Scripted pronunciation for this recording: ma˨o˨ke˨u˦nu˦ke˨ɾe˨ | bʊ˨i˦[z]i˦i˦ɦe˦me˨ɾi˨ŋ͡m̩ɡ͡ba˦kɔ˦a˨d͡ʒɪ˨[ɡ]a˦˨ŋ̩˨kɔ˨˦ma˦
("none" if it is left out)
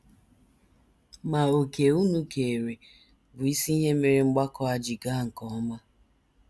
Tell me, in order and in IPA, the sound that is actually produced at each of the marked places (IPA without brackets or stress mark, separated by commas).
s, ɡ